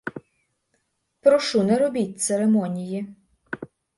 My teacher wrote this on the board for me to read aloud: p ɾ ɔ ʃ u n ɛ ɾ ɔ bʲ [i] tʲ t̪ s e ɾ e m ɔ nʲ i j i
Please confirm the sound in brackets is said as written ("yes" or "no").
yes